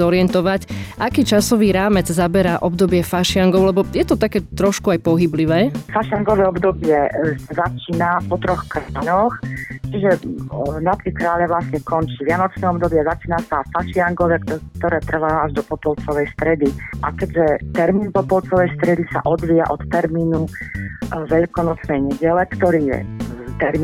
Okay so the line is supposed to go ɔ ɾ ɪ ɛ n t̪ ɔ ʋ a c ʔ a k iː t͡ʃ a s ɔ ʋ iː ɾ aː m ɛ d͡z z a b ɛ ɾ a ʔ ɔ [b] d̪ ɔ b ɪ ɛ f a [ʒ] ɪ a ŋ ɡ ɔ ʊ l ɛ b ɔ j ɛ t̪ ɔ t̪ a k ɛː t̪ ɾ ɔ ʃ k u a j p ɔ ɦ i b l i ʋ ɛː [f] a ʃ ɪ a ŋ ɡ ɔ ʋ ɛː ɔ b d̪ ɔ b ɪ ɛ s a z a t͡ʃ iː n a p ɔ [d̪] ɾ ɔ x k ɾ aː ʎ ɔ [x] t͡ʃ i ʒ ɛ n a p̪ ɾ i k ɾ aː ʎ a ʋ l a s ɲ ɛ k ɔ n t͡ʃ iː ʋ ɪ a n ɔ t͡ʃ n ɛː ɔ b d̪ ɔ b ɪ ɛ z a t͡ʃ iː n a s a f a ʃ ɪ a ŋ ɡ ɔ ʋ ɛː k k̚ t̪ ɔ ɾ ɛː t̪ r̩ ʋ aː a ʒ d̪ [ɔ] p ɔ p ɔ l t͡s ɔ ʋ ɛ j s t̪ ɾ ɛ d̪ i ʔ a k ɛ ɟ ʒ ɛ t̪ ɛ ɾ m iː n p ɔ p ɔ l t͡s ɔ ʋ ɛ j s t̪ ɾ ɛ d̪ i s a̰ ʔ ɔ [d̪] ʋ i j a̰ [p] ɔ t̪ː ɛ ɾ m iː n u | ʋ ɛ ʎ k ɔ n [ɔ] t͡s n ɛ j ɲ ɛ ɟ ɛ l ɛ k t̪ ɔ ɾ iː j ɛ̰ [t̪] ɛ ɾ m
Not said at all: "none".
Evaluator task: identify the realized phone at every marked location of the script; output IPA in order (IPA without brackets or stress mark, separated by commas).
b, ʃ, f, t̪, x, ɔ, d̪, ʔ, ɔ, t̪